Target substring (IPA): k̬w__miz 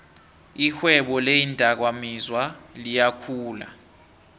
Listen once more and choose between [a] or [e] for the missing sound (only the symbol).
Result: a